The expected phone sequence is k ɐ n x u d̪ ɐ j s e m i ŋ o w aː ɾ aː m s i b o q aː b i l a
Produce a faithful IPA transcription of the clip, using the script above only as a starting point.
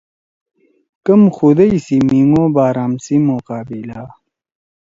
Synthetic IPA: k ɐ m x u d̪ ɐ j s i m i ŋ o b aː ɾ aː m s i m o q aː b i l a